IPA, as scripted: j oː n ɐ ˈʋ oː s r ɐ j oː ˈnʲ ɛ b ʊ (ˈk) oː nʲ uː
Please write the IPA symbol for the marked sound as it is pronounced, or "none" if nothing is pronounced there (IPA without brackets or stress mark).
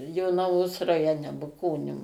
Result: k